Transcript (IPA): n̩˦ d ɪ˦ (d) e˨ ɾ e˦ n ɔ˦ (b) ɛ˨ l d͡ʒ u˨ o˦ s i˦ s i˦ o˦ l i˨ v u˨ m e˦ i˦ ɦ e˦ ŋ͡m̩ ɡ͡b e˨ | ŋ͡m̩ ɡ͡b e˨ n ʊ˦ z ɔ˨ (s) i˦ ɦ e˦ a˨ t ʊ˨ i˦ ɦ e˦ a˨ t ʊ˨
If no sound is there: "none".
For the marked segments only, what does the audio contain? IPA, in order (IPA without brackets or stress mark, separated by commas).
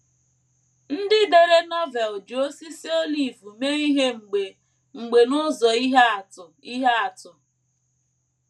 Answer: d, v, none